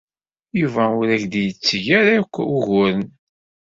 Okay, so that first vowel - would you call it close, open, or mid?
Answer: close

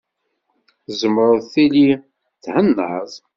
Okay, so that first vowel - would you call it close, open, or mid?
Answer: mid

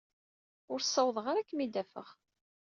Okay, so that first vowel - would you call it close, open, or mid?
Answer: close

